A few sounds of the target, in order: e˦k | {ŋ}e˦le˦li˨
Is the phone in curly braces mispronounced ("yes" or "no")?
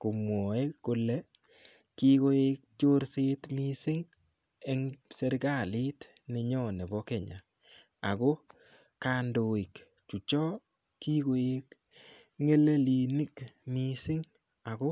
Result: no